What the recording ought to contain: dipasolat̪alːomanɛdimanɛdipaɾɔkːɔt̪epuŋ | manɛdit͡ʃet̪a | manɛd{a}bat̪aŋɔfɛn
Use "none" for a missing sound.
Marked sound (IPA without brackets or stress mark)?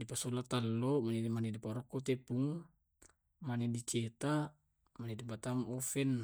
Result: i